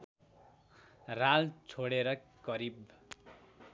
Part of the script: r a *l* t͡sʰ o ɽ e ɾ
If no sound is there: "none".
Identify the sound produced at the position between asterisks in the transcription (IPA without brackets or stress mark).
l